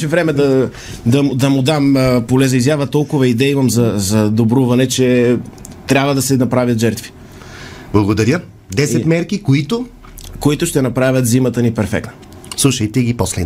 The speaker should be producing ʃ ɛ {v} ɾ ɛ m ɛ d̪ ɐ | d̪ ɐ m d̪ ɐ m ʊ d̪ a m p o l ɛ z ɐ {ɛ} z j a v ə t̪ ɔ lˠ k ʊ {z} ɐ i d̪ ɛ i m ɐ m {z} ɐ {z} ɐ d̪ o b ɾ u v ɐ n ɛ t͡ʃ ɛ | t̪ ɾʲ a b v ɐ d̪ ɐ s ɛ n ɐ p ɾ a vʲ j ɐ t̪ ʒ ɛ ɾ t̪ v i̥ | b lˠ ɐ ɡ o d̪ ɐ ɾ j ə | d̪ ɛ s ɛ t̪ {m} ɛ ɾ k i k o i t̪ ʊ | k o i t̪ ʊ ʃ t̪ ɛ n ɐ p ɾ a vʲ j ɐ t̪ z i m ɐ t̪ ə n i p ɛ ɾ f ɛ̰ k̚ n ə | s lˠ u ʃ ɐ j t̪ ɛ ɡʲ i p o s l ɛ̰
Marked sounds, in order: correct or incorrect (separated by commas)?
correct, incorrect, incorrect, correct, correct, correct